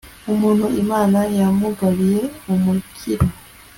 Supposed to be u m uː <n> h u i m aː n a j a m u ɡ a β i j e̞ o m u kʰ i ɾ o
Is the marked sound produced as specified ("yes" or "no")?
yes